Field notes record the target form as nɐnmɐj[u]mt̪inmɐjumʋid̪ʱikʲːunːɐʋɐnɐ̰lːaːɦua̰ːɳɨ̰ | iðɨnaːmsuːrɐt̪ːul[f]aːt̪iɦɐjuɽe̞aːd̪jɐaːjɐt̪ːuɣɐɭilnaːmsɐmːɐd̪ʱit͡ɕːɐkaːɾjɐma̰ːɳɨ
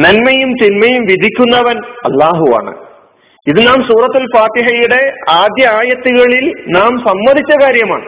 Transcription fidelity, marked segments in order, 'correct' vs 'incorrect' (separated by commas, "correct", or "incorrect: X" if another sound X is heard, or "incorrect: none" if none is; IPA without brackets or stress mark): correct, correct